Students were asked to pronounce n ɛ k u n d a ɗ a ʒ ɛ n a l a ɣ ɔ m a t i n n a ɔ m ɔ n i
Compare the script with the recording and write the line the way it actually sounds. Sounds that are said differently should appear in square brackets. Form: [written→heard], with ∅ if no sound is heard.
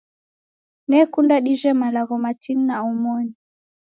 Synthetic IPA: n ɛ k u n d a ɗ [a→i] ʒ ɛ [n→m] a l a ɣ ɔ m a t i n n a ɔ m ɔ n i